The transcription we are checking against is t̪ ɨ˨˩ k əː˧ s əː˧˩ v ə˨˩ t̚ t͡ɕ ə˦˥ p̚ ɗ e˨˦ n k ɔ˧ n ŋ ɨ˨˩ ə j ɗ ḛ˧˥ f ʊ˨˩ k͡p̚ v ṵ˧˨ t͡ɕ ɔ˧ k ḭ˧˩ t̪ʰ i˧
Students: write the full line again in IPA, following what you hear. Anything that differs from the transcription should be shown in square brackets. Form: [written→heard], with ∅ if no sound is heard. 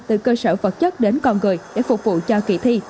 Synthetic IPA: t̪ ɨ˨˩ k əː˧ s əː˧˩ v ə˨˩ t̚ t͡ɕ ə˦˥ [p̚→t̚] ɗ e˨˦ n k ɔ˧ n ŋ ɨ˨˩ ə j ɗ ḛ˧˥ f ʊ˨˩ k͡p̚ v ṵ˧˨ t͡ɕ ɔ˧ k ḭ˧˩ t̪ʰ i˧